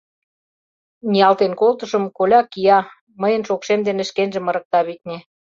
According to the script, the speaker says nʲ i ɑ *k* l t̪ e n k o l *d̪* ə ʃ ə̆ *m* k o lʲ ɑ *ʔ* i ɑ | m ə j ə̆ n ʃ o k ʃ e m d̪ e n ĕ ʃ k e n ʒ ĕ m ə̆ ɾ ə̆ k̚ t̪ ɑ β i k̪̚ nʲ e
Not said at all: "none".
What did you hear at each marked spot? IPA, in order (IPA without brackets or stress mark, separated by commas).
none, t̪, m, k